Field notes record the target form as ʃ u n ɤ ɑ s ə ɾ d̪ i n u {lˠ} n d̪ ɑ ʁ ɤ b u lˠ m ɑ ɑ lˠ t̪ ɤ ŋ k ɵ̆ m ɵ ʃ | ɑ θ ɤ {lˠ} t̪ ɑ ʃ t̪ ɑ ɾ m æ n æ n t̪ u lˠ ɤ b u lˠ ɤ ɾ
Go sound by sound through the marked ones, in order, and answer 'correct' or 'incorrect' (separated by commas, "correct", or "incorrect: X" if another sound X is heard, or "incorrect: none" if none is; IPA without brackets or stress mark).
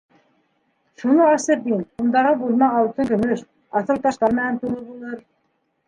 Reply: incorrect: none, correct